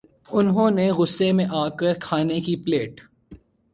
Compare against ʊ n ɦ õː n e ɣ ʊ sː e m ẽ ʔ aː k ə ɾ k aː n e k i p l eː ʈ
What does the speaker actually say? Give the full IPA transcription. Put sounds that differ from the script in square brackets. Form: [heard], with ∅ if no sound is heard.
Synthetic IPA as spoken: ʊ n ɦ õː n e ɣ ʊ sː e m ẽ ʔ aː k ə ɾ [kʰ] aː n e k i p l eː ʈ